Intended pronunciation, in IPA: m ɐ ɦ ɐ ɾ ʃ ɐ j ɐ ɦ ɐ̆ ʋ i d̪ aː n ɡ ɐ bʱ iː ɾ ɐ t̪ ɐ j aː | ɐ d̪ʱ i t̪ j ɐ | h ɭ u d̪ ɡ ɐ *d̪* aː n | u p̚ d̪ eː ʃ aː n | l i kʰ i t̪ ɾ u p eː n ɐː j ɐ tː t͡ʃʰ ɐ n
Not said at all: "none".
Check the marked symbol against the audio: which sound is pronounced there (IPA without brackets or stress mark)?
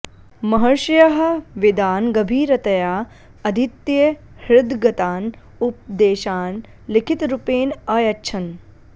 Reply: t̪